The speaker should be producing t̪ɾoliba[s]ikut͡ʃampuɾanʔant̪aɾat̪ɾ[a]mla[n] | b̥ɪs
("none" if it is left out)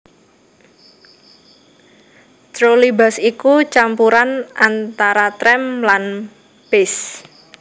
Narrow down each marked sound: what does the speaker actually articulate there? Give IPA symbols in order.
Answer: s, ɛ, n

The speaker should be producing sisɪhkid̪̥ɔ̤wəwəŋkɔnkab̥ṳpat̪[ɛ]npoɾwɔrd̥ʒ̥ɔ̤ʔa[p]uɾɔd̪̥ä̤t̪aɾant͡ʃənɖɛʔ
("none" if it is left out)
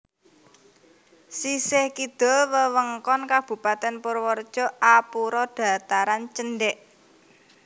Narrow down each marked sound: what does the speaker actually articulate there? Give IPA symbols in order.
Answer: ɛ, p

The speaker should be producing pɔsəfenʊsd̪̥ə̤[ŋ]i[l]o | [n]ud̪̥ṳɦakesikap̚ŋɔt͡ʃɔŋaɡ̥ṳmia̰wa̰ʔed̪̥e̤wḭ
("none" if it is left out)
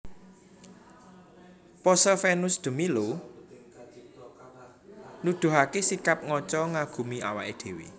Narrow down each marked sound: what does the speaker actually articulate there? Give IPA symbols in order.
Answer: m, l, n

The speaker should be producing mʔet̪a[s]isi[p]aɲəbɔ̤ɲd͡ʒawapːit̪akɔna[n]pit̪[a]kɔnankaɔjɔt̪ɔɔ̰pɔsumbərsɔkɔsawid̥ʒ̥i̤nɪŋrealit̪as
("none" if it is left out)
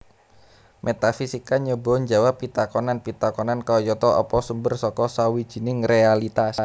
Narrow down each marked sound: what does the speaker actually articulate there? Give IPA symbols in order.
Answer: f, k, n, a

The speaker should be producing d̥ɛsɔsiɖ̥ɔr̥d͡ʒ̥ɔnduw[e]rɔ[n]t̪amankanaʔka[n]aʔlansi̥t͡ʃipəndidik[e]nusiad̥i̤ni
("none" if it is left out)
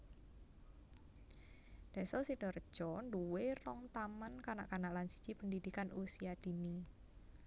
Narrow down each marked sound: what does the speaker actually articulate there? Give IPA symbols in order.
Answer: e, ŋ, n, a

